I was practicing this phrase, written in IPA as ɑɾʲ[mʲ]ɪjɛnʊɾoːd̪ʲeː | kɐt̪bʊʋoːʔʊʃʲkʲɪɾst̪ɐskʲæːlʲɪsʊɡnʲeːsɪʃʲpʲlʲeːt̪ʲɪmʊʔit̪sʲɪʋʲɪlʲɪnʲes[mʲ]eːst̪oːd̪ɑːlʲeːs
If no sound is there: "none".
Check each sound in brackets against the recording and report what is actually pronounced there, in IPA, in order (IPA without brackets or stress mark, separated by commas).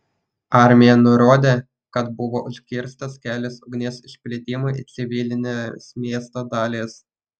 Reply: mʲ, mʲ